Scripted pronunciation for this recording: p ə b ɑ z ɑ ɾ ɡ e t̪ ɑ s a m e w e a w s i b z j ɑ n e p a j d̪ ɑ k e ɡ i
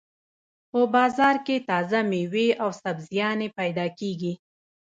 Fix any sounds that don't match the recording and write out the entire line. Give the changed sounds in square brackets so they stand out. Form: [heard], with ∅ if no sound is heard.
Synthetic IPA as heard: p ə b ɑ z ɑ ɾ [k] e t̪ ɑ [z] a m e w e a w s [a] b z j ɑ n e p a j d̪ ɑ k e ɡ i